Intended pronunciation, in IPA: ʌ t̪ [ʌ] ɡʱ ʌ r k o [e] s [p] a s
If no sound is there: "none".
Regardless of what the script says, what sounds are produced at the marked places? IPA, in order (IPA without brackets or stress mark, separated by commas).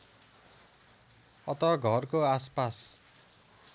ʌ, a, p